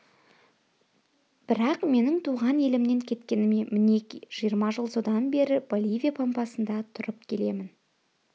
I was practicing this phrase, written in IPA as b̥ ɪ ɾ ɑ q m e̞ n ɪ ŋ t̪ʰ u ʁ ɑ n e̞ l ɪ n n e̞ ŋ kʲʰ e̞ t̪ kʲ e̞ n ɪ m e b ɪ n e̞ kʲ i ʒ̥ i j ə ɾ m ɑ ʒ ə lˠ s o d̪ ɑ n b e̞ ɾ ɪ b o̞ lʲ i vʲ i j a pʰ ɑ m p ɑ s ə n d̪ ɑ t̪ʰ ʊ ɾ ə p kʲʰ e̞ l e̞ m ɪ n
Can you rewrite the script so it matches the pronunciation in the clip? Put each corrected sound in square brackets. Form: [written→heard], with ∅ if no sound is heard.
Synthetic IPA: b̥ ɪ ɾ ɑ q m e̞ n ɪ ŋ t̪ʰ u ʁ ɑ n e̞ l ɪ [n→m] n e̞ ŋ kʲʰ e̞ t̪ kʲ e̞ n ɪ m e [b→m] ɪ n e̞ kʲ i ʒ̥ i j ə ɾ m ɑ ʒ ə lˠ s o d̪ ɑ n b e̞ ɾ ɪ b o̞ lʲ i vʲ i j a pʰ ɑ m p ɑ s ə n d̪ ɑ t̪ʰ ʊ ɾ ə p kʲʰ e̞ l e̞ m ɪ n